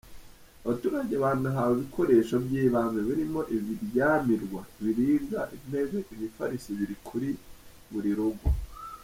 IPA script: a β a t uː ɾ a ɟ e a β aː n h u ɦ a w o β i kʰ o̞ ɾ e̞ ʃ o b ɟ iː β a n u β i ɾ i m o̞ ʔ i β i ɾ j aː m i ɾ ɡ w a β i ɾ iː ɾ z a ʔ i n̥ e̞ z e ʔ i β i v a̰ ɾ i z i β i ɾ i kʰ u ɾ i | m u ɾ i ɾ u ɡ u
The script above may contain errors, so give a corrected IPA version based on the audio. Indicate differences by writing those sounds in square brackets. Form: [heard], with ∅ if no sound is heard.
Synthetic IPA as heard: a β a t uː ɾ a ɟ e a β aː n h u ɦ a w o β i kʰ o̞ ɾ e̞ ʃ o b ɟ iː β a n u β i ɾ i m o̞ ʔ i β i ɾ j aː m i ɾ ɡ w a β i ɾ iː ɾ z a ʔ i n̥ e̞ z e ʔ i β i [f] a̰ ɾ i [s] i β i ɾ i kʰ u ɾ i | m u ɾ i ɾ u ɡ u